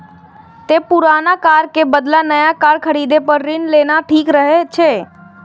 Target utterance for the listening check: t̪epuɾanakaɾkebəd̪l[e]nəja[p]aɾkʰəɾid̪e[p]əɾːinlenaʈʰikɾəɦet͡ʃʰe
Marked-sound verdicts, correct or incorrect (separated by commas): incorrect, incorrect, correct